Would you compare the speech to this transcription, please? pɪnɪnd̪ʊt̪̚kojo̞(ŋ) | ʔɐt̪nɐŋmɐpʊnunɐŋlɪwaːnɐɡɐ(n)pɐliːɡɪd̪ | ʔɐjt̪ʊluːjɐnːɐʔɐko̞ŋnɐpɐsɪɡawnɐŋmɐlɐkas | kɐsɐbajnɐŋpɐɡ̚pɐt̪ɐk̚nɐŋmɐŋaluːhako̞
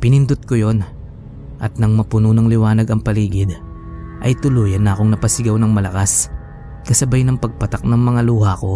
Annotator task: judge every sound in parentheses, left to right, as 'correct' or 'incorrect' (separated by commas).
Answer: incorrect, incorrect